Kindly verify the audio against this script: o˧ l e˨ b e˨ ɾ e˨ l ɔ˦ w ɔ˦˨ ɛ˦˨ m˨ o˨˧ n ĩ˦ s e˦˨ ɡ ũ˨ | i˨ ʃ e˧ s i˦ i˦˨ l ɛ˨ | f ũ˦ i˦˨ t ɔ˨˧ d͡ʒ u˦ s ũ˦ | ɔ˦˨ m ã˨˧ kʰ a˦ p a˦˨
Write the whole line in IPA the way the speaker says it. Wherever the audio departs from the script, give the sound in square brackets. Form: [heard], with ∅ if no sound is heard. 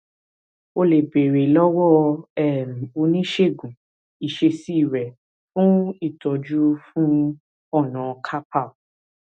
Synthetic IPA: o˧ l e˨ b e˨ ɾ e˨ l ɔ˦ w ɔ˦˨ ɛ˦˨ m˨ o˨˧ n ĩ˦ [ʃ] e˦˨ ɡ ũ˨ | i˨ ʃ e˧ s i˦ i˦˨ [ɾ] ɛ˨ | f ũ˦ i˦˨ t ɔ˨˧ d͡ʒ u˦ [f] ũ˦ | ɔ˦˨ [n] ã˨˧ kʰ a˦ p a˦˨